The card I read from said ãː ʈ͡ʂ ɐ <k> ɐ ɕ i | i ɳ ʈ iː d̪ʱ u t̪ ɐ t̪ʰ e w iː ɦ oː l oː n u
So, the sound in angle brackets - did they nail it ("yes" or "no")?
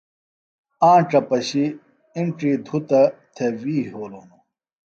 no